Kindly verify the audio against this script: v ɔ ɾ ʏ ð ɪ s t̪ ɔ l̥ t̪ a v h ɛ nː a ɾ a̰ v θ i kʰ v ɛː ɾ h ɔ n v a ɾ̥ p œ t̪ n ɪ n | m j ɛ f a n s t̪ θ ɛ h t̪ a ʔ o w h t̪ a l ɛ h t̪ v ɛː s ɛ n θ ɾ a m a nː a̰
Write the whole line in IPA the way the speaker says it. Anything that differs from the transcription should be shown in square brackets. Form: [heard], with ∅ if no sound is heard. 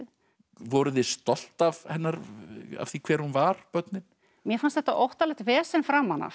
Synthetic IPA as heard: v ɔ ɾ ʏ ð ɪ s t̪ ɔ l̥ t̪ a v h ɛ nː a ɾ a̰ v θ i kʰ v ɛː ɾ h [u] n v a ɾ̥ p œ t̪ n ɪ n | m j ɛ f a n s t̪ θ ɛ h t̪ a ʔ o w h t̪ a l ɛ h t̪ v ɛː s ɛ n [f] ɾ a m a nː a̰